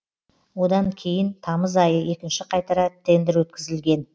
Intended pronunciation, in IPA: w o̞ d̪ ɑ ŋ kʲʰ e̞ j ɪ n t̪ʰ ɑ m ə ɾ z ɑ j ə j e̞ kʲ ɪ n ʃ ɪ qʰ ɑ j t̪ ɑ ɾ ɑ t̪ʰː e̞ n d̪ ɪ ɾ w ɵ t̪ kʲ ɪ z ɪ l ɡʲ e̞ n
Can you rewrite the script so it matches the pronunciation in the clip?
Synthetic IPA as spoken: w o̞ d̪ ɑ ŋ kʲʰ e̞ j ɪ n t̪ʰ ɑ m ə z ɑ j ə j e̞ kʲ ɪ n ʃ ɪ qʰ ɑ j t̪ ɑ ɾ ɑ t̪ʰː e̞ n d̪ ɪ ɾ w ɵ t̪ kʲ ɪ z ɪ l ɡʲ e̞ n